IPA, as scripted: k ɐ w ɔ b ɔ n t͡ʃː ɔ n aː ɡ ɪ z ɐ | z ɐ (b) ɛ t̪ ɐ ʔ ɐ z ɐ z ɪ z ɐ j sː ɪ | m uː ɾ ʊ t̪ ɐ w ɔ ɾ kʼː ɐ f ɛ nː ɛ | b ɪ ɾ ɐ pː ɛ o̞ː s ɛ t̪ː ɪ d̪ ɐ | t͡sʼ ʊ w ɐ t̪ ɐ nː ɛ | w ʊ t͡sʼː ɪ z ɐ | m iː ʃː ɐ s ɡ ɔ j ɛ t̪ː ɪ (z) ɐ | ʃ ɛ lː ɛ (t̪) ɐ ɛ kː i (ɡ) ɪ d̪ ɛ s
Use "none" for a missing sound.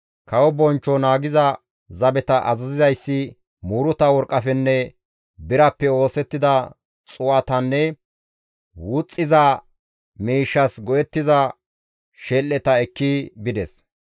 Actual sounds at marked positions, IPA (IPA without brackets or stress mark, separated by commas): b, z, t̪, b